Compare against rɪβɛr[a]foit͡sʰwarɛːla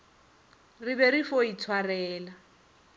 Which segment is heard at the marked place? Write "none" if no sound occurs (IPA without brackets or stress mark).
i